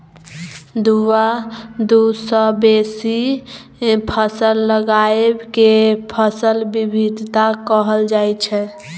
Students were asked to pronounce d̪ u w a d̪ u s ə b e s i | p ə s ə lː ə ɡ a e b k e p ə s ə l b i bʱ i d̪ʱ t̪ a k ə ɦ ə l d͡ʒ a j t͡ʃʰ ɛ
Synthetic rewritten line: d̪ u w a d̪ u s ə b e s i | pʰ ə s ə lː ə ɡ a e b k e pʰ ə s ə l b i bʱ i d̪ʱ t̪ a k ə ɦ ə l d͡ʒ a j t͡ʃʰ ɛ